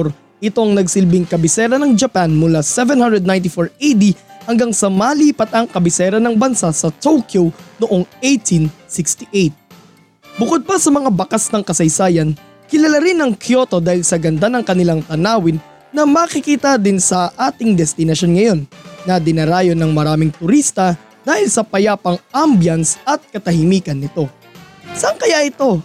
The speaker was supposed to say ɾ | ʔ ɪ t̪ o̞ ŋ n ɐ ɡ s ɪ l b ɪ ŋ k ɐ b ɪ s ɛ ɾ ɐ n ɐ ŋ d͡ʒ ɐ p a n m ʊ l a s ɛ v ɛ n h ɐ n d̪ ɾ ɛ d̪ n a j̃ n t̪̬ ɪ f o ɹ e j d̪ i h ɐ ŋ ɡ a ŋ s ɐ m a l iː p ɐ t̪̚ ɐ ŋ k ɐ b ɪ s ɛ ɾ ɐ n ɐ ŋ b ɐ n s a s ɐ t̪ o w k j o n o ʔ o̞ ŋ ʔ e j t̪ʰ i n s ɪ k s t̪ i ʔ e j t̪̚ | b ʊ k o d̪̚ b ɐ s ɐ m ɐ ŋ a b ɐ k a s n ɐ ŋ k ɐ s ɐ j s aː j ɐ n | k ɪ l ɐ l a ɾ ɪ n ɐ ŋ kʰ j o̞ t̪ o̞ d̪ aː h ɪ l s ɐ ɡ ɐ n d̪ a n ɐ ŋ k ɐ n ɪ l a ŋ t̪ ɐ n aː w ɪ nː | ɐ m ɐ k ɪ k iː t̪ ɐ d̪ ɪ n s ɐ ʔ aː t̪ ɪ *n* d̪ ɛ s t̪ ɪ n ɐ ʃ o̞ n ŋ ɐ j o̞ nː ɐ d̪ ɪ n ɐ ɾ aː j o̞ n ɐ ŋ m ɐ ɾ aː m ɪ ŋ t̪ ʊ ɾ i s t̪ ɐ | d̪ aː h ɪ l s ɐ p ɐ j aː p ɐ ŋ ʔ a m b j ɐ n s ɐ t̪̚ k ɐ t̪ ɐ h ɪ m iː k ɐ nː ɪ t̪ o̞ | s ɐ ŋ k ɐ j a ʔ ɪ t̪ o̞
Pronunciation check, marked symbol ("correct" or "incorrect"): incorrect